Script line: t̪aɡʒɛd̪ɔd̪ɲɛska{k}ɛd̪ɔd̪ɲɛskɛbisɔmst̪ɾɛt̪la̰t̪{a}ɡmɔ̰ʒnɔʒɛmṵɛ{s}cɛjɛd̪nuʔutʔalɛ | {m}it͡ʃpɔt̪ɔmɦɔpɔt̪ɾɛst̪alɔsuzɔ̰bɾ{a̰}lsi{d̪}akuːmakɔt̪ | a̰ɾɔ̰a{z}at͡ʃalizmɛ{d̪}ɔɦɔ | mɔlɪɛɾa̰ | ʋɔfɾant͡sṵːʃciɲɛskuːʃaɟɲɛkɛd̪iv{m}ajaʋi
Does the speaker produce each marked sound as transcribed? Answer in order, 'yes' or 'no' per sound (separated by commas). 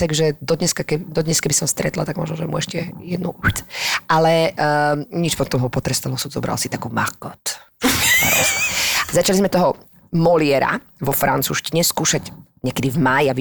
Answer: yes, yes, no, no, yes, no, yes, no, yes